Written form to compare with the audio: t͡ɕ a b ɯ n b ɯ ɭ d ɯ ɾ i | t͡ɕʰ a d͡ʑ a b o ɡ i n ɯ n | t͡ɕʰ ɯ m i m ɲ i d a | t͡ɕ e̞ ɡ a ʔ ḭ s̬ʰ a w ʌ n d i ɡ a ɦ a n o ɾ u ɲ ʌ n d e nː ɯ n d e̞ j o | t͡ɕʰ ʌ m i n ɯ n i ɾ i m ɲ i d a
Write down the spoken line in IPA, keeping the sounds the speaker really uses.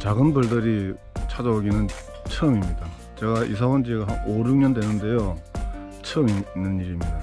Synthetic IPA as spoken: t͡ɕ a ɡ ɯ n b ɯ ɭ d ɯ ɾ i | t͡ɕʰ a d͡ʑ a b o ɡ i n ɯ n | t͡ɕʰ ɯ m i m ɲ i d a | t͡ɕ e̞ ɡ a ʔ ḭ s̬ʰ a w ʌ n d͡ʑ i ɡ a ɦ a n o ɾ u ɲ ʌ n d e n ɯ n d e̞ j o | t͡ɕʰ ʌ m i n ɯ n i ɾ i m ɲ i d a